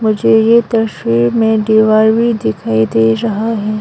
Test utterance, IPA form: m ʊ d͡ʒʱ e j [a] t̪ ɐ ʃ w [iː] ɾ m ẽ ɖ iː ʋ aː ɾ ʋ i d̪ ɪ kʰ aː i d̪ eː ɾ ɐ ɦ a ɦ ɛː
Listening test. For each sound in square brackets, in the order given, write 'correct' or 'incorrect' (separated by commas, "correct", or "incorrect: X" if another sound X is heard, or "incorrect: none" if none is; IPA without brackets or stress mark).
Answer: incorrect: e, correct